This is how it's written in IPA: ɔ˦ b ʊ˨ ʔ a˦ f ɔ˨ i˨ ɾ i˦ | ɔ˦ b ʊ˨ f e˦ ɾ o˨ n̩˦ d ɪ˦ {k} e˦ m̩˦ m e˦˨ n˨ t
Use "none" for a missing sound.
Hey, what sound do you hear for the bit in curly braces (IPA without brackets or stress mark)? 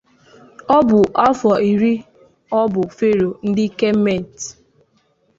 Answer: k